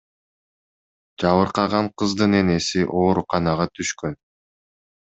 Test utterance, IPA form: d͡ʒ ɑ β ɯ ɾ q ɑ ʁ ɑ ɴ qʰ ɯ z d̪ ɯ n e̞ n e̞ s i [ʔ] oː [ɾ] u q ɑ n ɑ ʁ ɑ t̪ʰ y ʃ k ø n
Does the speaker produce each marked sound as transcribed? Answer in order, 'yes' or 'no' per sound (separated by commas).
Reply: yes, yes